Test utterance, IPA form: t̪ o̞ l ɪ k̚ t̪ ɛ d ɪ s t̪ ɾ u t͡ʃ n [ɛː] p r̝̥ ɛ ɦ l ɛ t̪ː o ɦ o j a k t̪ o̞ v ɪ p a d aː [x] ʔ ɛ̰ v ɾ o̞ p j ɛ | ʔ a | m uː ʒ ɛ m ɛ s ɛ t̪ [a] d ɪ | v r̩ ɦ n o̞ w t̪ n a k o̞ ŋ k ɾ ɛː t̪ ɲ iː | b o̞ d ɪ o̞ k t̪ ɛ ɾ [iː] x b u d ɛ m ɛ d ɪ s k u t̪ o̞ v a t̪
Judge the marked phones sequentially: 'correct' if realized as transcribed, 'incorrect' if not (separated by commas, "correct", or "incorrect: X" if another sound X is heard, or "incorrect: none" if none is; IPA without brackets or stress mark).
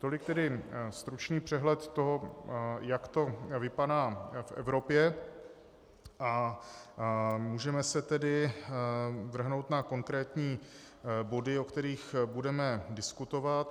incorrect: iː, incorrect: f, incorrect: ɛ, correct